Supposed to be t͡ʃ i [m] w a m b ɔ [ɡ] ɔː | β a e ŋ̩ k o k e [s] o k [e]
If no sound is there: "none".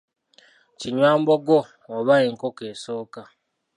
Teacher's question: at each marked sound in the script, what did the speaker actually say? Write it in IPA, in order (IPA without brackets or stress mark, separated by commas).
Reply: ɲ, ɡ, s, a